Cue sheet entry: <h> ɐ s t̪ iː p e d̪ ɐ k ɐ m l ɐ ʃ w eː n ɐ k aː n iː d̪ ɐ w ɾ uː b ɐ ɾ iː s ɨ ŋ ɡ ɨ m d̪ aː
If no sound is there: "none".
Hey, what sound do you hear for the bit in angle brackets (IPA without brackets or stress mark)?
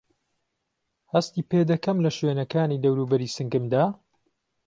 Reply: h